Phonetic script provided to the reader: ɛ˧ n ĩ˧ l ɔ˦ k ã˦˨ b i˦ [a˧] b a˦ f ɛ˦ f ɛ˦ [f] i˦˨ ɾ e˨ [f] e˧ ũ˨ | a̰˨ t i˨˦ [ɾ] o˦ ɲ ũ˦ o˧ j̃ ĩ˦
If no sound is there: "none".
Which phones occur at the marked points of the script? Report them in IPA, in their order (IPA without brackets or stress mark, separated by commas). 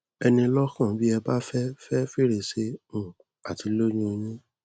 ɛ˧, f, s, l